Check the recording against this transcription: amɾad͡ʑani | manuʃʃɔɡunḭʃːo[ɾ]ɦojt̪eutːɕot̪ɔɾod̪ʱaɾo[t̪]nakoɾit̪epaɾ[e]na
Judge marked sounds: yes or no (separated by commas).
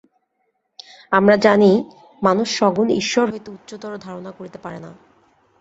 yes, no, yes